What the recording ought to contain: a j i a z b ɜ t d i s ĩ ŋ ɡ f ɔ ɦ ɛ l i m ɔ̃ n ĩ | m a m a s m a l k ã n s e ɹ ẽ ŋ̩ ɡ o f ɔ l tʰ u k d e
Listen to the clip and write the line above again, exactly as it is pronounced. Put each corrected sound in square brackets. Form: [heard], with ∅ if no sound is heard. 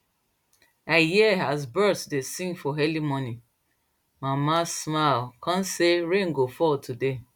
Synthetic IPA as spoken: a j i a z b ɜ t d [e] s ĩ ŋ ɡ f ɔ ɦ ɛ l i m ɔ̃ n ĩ | m a m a s m a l k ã n s e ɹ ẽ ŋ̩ ɡ o f ɔ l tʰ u [∅] d e